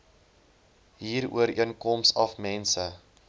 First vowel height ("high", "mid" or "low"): high